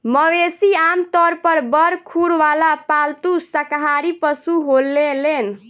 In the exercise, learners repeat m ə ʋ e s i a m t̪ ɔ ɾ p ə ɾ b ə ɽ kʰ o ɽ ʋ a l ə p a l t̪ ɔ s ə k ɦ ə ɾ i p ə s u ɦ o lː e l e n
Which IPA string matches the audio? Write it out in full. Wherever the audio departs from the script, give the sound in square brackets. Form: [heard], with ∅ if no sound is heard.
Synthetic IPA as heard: m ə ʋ e s i a m t̪ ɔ ɾ p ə ɾ b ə [ɾ] kʰ [u] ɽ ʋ a l [a] p a l t̪ [u] s ə k ɦ [a] ɾ i p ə s u ɦ o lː e l e n